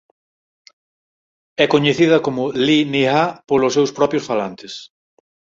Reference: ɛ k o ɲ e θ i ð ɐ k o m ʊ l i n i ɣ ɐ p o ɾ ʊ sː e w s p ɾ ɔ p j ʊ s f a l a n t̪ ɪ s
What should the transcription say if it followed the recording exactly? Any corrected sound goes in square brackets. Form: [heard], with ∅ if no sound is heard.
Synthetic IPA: ɛ k o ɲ e θ i ð ɐ k o m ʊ l i n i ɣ [a] p o [l] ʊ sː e w s p ɾ ɔ p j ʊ s f a l a n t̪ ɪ s